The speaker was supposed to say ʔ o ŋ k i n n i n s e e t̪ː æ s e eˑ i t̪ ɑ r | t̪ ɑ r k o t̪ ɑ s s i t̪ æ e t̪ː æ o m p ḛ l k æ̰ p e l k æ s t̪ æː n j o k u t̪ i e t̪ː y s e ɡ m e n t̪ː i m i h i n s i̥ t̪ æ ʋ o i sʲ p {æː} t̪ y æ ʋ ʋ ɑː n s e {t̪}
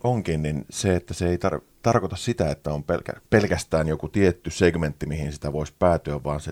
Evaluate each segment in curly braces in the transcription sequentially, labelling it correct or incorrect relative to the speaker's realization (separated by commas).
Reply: correct, incorrect